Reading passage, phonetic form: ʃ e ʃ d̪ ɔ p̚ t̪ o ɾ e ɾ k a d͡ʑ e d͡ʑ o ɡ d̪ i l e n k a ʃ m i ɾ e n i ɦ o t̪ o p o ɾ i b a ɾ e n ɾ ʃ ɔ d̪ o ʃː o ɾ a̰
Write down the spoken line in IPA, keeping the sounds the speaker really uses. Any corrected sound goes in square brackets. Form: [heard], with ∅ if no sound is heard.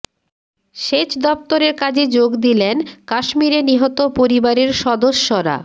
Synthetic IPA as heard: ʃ e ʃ d̪ ɔ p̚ t̪ o ɾ e ɾ k a d͡ʑ e d͡ʑ o ɡ d̪ i l e n k a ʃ m i ɾ e n i ɦ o t̪ o p o ɾ i b a ɾ e [∅] ɾ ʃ ɔ d̪ o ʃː o ɾ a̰